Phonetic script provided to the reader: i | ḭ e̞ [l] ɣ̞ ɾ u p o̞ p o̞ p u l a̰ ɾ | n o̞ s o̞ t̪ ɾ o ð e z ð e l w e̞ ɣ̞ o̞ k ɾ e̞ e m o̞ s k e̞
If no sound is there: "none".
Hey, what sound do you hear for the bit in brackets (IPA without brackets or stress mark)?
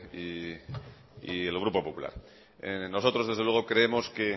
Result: l